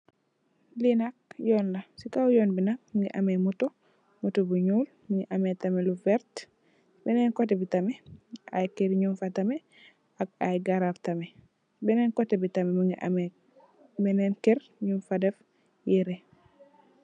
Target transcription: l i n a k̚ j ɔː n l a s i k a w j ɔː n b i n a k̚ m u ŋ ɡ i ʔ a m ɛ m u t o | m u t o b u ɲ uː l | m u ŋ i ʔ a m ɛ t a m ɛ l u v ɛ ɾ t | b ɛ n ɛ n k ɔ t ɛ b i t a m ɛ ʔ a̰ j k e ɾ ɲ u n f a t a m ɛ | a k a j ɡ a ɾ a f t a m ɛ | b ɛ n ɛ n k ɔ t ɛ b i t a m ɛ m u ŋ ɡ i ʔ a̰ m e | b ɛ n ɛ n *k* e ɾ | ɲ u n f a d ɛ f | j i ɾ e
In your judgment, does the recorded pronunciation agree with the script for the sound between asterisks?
yes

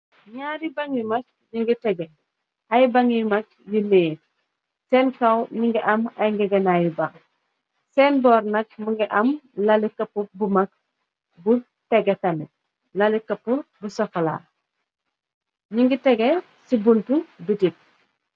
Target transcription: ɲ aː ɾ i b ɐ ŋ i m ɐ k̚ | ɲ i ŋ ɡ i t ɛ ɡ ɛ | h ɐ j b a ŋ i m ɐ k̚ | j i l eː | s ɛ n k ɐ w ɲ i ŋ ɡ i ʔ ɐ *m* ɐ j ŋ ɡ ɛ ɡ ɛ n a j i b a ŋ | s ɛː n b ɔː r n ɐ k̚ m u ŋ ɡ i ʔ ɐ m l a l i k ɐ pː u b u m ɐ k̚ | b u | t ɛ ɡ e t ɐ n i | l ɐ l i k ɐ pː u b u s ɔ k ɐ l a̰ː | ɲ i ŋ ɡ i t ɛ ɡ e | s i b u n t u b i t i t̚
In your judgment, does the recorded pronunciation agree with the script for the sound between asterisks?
yes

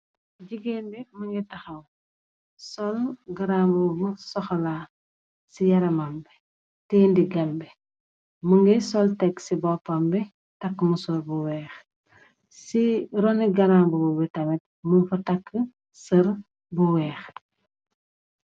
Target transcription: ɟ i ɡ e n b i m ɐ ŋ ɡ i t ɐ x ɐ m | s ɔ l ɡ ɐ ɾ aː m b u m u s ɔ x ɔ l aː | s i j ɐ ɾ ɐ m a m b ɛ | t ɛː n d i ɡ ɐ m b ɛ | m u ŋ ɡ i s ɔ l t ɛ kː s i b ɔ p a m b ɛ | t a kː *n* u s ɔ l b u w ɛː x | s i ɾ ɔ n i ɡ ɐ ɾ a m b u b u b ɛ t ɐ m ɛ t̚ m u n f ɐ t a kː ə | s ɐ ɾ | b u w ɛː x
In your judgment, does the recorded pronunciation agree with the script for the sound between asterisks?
no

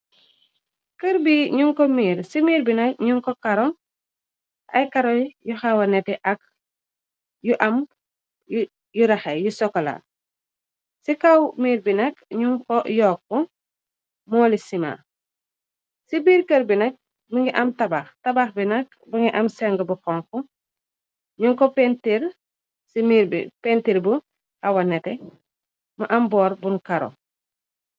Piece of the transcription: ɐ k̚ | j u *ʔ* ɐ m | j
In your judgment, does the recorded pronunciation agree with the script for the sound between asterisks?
yes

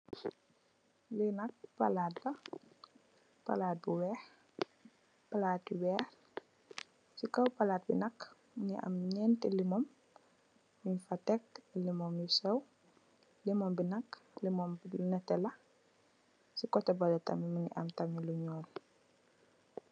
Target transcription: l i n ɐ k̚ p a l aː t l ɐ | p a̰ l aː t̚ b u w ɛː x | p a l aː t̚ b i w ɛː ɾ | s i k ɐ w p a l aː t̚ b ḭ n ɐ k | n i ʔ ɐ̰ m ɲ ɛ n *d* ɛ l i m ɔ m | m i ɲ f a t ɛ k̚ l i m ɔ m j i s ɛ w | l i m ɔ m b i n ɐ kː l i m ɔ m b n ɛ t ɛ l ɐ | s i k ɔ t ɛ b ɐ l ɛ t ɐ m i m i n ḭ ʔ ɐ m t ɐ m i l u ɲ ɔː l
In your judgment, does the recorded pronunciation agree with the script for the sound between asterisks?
no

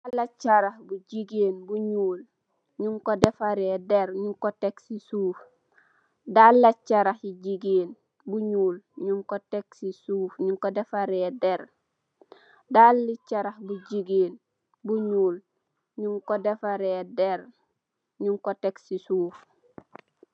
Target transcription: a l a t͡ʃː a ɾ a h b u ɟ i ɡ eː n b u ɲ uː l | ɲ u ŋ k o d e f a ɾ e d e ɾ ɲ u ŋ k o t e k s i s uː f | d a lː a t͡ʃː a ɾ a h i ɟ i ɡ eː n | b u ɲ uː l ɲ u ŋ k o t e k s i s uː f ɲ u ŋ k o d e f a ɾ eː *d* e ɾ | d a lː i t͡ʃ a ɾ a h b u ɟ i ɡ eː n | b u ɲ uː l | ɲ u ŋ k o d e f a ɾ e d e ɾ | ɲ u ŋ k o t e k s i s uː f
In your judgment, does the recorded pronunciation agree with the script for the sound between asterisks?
yes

